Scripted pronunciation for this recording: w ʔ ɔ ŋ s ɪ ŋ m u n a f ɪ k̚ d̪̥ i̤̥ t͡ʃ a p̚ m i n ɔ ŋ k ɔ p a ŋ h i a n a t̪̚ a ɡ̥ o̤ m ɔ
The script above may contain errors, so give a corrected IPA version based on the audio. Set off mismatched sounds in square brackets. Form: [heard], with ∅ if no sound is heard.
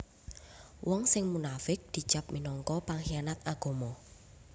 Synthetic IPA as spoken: w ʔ ɔ ŋ s ɪ ŋ m u n a f ɪ k̚ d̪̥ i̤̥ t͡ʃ a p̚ m i n ɔ ŋ k ɔ p a ŋ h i a n a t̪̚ a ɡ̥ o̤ m ɔ